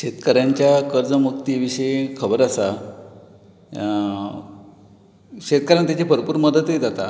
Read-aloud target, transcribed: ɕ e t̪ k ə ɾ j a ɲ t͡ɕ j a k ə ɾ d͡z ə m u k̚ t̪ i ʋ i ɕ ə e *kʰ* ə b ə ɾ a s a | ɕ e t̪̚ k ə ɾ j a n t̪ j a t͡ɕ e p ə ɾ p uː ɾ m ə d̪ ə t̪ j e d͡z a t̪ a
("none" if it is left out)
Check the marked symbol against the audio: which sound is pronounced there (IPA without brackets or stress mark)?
kʰ